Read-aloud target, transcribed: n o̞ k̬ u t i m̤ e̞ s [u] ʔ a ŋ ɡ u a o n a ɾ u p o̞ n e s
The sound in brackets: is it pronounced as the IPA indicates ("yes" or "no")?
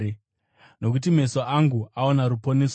no